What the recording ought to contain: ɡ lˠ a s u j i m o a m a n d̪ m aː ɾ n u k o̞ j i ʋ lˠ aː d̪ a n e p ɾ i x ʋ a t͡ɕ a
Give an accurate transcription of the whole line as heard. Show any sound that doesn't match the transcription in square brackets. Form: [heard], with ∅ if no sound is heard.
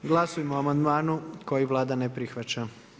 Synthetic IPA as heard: ɡ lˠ a s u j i m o a m a n d̪ m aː [∅] n u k o̞ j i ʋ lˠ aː d̪ a n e p ɾ i x ʋ a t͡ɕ a